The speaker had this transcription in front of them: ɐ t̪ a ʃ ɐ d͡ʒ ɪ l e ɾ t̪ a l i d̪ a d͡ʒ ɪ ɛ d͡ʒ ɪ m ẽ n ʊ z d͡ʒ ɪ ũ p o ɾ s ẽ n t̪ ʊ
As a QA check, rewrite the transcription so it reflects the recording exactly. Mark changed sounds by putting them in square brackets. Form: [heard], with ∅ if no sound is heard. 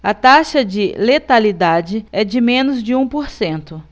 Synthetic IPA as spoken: ɐ t̪ a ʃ ɐ d͡ʒ ɪ l e [∅] t̪ a l i d̪ a d͡ʒ ɪ ɛ d͡ʒ ɪ m ẽ n ʊ z d͡ʒ ɪ ũ p o ɾ s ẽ n t̪ ʊ